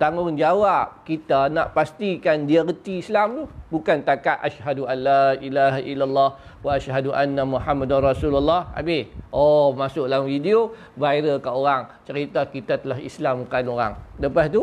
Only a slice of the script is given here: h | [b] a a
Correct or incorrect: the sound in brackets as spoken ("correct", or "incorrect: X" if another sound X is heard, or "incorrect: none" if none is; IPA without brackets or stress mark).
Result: incorrect: w